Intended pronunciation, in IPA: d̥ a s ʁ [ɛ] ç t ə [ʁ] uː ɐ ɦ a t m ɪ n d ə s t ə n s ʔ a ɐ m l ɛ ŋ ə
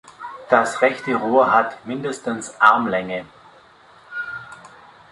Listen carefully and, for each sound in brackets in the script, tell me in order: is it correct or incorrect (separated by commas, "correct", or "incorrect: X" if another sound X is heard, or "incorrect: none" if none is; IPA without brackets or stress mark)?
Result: correct, correct